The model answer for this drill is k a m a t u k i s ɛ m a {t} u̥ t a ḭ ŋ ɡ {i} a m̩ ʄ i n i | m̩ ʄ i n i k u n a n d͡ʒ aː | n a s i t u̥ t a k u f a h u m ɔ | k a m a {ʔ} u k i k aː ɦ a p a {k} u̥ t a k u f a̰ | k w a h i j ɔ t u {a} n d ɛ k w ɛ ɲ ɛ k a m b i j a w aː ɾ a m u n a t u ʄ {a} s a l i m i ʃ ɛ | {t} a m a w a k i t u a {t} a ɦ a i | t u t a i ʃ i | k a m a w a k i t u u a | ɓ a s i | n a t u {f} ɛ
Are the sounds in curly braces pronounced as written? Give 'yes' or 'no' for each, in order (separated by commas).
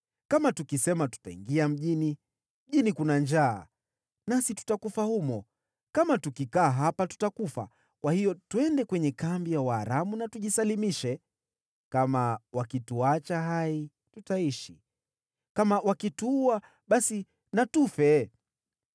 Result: yes, yes, no, no, no, no, no, no, yes